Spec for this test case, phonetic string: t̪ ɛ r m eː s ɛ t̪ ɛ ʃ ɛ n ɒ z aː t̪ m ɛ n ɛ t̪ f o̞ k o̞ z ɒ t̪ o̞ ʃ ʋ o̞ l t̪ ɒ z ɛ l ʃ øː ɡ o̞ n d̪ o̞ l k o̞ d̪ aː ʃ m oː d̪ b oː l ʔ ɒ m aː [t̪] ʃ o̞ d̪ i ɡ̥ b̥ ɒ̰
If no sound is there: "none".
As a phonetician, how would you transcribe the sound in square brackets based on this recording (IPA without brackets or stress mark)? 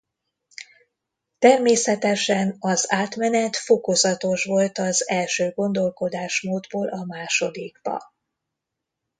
none